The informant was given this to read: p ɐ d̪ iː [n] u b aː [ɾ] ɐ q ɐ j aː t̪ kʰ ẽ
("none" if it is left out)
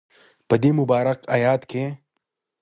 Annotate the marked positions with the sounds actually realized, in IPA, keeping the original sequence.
m, ɾ

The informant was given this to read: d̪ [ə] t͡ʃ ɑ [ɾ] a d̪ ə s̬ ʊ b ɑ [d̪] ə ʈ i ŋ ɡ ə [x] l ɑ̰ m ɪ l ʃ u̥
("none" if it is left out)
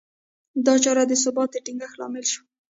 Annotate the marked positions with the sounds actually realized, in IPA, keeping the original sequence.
ɑ, ɾ, t̪, x

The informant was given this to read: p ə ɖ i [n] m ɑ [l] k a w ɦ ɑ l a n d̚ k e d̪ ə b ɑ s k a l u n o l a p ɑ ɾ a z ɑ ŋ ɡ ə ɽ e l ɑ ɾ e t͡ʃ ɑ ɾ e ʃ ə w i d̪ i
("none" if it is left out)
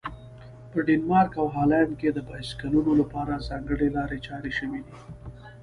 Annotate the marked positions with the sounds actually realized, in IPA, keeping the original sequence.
n, ɾ

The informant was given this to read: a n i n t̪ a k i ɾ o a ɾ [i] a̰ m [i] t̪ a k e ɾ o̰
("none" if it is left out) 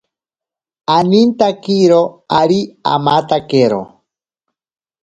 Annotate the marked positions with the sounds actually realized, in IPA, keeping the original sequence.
i, a

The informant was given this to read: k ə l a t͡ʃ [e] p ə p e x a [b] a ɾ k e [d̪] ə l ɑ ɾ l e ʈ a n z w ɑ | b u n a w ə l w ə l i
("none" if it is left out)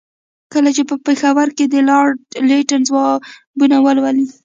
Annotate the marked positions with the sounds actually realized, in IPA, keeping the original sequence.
e, w, d̪

